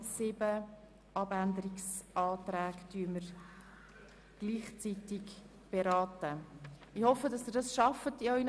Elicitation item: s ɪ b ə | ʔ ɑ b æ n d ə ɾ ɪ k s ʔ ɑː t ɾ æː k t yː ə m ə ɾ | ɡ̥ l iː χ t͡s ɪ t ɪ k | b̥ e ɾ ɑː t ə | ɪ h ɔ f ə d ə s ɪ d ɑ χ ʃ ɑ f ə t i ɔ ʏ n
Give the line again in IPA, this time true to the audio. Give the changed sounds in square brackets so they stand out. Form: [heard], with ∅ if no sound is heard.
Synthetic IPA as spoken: s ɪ b ə | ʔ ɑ b æ n d ə ɾ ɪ k s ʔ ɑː t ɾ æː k t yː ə m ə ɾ | ɡ̥ l iː χ t͡s [i] t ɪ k | b̥ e ɾ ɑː t ə | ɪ h ɔ f ə d [ɑ] s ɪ d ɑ [s] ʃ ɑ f ə t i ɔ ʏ n